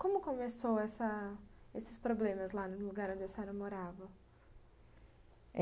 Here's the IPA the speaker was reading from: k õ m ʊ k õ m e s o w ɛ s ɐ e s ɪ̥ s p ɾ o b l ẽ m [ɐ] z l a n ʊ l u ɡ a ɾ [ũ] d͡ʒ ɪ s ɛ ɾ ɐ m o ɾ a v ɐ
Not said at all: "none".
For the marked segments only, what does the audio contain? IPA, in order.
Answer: ɐ, õ

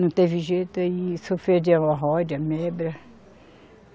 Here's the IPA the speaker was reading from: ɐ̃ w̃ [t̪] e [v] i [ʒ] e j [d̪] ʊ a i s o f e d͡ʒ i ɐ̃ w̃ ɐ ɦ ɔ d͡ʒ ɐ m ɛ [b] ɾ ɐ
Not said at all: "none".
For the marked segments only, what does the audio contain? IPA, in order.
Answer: t̪, v, ʒ, t̪, b

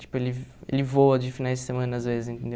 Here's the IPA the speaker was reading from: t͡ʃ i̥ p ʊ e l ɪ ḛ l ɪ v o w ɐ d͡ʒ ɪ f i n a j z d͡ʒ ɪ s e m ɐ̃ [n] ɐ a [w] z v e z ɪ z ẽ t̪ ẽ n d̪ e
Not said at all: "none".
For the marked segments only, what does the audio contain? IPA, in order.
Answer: n, none

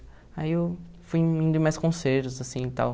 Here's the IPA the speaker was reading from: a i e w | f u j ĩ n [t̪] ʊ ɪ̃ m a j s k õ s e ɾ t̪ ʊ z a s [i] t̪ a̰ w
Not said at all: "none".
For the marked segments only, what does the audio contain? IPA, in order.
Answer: d̪, ĩ

